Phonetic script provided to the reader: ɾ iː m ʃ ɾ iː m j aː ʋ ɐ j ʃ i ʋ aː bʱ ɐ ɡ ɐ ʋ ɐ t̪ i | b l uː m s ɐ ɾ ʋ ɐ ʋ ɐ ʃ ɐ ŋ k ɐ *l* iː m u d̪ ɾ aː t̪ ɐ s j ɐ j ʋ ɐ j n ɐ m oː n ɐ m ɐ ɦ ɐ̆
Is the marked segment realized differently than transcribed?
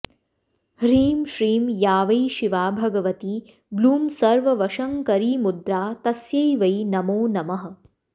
yes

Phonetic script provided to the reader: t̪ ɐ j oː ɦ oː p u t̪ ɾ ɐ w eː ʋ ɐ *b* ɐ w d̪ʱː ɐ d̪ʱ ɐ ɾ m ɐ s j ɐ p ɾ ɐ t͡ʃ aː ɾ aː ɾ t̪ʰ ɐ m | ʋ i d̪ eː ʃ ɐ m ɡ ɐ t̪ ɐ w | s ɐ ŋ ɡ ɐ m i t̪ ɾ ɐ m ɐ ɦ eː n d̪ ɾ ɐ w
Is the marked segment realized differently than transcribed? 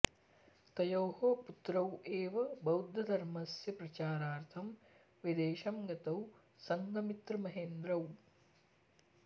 no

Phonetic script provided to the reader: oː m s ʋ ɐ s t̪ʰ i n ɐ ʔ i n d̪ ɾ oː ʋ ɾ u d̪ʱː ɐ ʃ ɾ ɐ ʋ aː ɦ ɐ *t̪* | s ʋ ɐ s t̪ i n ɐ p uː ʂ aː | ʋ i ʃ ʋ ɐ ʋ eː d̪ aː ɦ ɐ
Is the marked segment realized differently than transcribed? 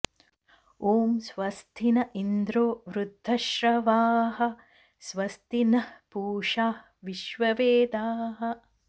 yes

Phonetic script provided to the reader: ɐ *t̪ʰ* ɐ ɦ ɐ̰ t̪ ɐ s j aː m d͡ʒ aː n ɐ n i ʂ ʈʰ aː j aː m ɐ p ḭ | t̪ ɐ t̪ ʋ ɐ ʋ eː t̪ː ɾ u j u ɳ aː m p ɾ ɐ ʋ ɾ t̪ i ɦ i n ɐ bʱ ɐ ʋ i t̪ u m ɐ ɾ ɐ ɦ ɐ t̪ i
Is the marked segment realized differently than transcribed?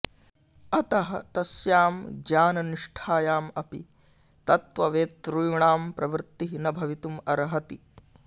yes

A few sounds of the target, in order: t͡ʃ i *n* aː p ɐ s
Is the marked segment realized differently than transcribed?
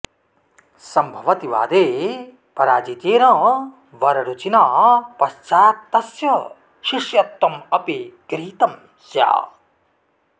no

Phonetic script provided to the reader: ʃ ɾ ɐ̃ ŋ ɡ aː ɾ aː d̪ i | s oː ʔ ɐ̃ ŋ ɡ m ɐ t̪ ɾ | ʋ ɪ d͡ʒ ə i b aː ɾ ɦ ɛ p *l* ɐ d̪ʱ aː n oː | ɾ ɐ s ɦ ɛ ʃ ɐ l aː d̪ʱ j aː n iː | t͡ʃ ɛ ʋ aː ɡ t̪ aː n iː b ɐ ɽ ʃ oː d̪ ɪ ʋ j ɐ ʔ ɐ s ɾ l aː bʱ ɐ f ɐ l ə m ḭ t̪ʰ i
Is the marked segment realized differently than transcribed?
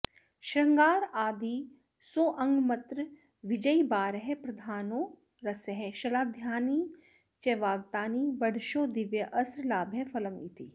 yes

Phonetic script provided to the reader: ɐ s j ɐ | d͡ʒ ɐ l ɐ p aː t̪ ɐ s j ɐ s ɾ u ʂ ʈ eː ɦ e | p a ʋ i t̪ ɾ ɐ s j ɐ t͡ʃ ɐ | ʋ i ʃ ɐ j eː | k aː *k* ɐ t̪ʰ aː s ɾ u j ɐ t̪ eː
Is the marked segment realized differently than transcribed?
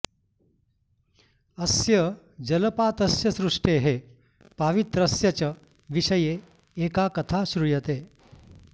no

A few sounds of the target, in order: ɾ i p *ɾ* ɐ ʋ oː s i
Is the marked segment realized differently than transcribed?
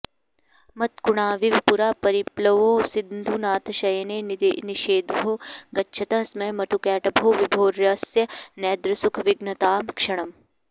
yes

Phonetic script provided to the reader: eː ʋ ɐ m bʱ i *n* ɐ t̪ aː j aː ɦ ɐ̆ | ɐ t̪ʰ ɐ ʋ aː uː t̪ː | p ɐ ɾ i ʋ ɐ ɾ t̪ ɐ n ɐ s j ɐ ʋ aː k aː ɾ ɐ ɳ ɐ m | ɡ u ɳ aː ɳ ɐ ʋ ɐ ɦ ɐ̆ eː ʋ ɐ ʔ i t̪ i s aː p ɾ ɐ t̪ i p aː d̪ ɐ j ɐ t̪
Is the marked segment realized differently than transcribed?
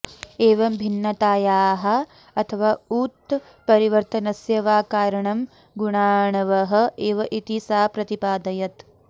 yes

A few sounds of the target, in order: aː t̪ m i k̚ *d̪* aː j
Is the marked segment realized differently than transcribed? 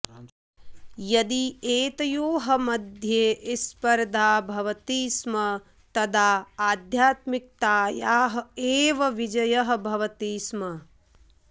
yes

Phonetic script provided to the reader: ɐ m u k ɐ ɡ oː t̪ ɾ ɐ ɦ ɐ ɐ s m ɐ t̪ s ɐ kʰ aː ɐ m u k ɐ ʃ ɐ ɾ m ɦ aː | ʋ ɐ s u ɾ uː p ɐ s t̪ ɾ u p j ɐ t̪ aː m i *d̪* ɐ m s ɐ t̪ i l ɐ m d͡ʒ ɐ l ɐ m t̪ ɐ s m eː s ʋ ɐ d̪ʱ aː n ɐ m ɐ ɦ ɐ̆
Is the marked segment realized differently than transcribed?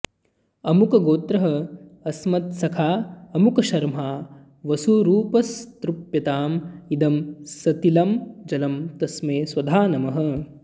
no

